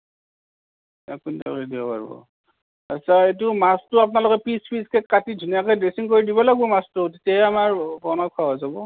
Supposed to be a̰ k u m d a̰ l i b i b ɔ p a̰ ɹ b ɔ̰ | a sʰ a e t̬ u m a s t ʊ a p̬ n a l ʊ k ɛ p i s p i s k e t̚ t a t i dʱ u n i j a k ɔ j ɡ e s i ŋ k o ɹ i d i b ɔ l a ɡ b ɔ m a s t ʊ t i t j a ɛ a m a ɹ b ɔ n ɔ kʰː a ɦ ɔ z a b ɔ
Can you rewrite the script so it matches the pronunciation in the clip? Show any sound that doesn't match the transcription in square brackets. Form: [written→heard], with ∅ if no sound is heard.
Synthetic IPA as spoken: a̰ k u [m→n] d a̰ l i [b→d] i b ɔ p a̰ ɹ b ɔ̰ | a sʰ a e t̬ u m a s t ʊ a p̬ n a l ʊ k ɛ p i s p i s k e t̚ [t→k] a t i dʱ u n i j a k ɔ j [ɡ→d] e s i ŋ k o ɹ i d i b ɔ l a ɡ b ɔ m a s t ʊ t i t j a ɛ a m a ɹ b ɔ n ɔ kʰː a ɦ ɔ z a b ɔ